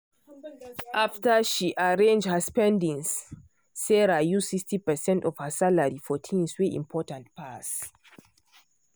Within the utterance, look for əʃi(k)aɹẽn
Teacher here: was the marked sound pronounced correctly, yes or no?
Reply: no